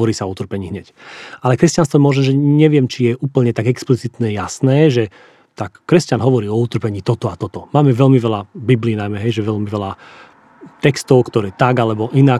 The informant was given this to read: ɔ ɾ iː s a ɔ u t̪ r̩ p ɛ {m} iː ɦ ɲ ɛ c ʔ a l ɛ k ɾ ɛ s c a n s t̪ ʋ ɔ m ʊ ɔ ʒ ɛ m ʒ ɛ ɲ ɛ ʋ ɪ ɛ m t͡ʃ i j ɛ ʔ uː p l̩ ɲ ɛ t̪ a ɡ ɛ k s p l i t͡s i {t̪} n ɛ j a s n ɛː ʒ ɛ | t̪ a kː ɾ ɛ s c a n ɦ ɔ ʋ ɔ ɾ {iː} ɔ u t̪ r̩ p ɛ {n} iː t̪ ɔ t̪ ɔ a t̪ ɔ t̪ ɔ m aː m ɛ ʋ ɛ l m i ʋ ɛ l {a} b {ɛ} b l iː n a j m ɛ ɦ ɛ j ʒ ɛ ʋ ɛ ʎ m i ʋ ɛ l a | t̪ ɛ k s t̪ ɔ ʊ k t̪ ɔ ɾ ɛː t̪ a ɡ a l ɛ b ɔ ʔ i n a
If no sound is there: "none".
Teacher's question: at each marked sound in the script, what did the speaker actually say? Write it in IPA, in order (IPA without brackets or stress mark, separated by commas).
ɲ, t̪, iː, ɲ, a, i